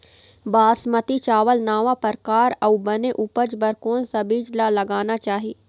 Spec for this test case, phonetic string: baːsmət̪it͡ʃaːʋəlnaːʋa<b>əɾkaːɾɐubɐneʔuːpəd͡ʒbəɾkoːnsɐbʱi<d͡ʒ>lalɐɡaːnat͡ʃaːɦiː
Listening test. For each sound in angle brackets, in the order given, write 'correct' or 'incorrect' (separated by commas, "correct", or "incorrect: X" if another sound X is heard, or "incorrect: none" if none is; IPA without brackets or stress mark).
incorrect: p, correct